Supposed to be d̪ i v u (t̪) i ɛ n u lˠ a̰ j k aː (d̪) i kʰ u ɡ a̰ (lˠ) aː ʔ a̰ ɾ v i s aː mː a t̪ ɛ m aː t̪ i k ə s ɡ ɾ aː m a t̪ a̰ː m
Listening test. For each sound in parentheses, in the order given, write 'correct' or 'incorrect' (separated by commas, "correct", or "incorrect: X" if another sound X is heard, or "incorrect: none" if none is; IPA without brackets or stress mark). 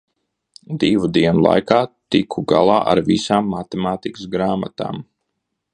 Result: incorrect: d̪, incorrect: t̪, correct